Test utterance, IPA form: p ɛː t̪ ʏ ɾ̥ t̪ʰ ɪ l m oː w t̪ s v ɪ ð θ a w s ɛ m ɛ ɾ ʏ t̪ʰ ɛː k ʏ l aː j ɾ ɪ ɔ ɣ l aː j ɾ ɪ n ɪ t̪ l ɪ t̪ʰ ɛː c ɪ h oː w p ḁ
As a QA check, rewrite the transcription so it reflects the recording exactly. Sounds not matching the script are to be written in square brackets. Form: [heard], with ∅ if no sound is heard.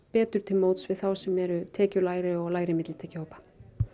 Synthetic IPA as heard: p ɛː t̪ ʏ ɾ̥ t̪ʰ ɪ l m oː w t̪ s v ɪ ð θ a w s ɛ m ɛ ɾ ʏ t̪ʰ ɛː [c] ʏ l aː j ɾ ɪ ɔ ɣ l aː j ɾ ɪ [m] ɪ t̪ l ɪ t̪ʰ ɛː c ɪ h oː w p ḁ